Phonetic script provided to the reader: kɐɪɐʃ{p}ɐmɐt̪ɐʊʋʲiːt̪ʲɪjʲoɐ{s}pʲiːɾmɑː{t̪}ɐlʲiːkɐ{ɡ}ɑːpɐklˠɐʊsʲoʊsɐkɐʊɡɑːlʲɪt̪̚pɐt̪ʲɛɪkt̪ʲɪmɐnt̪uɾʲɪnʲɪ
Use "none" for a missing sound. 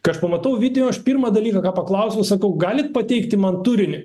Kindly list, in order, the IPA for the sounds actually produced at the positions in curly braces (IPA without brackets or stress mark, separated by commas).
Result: p, ʃ, d̪, k